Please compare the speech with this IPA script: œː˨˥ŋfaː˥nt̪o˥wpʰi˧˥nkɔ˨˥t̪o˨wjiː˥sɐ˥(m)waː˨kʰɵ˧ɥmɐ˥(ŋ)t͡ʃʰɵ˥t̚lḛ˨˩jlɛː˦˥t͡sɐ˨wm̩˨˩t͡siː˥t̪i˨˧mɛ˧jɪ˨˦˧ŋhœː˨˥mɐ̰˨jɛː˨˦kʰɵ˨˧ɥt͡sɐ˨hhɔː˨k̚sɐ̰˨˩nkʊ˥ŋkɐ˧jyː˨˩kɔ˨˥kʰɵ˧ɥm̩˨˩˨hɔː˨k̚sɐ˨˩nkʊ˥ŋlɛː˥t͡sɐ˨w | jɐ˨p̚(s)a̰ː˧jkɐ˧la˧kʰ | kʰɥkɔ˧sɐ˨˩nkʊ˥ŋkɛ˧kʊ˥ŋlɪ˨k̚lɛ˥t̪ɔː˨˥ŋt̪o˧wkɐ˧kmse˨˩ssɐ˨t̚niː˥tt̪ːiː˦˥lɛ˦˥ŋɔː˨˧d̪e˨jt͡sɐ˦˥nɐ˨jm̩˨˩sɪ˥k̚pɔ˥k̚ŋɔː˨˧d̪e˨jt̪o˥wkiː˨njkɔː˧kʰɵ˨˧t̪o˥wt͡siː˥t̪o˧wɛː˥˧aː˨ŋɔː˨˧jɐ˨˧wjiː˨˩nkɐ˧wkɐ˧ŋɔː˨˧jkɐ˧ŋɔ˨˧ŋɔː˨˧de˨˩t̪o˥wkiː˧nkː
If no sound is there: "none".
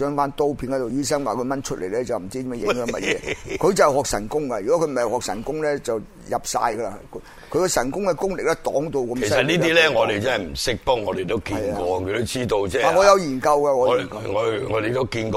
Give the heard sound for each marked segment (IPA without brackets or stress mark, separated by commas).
ŋ, n, s